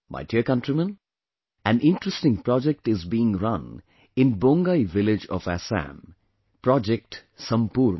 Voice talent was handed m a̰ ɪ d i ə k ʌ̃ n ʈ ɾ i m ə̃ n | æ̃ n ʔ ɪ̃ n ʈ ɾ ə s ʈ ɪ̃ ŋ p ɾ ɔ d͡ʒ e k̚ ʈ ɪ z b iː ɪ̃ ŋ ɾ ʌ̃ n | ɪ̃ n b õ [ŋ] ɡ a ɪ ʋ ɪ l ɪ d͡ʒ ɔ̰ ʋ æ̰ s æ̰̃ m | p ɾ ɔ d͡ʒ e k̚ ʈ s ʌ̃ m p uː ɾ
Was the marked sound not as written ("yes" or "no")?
no